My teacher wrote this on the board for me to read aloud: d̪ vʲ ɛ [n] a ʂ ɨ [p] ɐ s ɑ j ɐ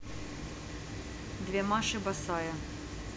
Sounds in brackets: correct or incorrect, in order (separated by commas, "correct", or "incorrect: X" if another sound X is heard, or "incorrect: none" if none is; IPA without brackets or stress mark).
incorrect: m, incorrect: b